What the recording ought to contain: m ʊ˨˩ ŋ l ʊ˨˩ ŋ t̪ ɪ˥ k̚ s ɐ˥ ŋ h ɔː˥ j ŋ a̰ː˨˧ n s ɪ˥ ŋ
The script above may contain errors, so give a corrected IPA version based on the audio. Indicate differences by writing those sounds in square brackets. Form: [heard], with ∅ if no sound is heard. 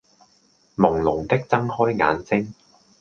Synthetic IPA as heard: m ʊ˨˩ ŋ l ʊ˨˩ ŋ t̪ ɪ˥ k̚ [t͡s] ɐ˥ ŋ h ɔː˥ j ŋ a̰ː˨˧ n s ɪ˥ ŋ

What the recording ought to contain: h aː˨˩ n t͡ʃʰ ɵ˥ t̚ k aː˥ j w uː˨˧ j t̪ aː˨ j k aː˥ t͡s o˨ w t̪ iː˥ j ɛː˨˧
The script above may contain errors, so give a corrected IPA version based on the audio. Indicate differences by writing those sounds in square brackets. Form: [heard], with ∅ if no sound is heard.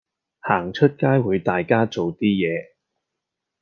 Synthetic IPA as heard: h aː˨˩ [ŋ] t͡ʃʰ ɵ˥ t̚ k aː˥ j w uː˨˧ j t̪ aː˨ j k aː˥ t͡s o˨ w t̪ iː˥ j ɛː˨˧

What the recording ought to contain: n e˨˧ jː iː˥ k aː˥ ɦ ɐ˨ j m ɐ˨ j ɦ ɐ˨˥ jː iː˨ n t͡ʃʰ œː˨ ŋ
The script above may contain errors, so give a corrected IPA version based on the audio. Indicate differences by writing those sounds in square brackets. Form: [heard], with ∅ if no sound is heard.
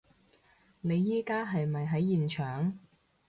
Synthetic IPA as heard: n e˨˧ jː iː˥ k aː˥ ɦ ɐ˨ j m ɐ˨ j ɦ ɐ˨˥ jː iː˨ n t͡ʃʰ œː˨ ŋ

